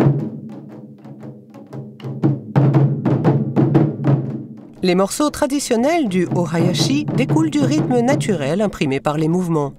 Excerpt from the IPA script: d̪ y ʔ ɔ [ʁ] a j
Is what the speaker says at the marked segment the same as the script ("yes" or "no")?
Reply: yes